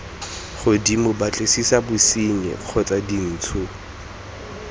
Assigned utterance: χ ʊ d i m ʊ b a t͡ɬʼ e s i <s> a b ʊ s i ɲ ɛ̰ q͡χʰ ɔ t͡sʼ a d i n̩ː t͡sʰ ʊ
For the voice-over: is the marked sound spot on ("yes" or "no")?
yes